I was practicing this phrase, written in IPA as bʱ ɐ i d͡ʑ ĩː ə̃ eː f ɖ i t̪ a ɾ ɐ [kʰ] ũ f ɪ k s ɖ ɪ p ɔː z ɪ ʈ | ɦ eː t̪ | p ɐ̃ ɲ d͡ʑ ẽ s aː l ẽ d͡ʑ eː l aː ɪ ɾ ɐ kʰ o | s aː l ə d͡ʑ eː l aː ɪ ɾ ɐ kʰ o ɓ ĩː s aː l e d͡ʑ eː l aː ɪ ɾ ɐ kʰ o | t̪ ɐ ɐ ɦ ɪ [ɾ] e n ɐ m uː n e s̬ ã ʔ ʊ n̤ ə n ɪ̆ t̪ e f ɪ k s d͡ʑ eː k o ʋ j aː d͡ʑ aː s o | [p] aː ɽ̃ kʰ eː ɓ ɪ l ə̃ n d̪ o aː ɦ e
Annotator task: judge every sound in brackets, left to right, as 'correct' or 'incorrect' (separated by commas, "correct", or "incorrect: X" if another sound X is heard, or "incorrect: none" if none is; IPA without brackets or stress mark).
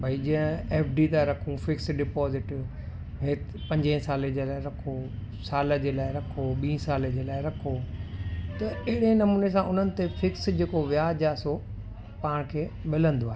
correct, incorrect: ɽ, correct